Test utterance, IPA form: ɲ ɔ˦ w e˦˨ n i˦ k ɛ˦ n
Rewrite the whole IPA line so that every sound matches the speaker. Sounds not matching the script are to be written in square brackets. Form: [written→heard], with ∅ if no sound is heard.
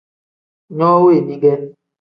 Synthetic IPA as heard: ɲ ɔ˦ w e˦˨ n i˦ [k→ɡ] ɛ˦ n